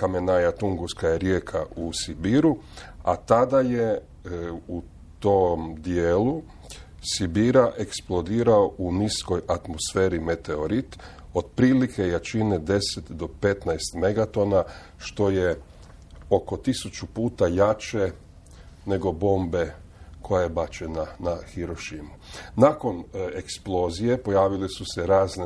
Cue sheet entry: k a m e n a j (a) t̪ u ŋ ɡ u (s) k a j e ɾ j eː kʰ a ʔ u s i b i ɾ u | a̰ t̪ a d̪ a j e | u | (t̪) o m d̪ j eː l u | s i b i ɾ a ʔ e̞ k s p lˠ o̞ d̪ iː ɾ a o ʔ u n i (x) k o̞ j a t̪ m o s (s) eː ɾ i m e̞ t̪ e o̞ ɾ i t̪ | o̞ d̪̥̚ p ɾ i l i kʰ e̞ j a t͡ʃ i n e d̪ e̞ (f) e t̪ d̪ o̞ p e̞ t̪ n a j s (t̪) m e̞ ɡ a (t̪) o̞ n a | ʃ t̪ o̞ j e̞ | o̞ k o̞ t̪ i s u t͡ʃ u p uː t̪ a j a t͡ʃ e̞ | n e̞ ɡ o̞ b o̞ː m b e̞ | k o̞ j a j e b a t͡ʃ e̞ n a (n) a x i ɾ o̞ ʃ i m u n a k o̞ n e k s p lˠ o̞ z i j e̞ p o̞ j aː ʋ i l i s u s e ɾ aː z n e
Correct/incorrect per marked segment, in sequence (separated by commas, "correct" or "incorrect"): correct, correct, correct, incorrect, incorrect, incorrect, correct, correct, correct